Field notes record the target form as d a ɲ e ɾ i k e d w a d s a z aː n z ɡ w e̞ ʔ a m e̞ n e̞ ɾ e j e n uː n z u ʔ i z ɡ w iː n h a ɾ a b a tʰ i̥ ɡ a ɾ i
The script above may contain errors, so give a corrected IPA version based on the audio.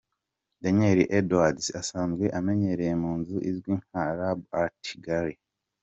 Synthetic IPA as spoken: d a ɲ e ɾ i ʔ e d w a d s a s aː n z ɡ w e̞ ʔ a m e̞ ɲ e̞ ɾ e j e m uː n z u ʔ i z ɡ w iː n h a ɾ a b a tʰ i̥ ɡ a ɾ i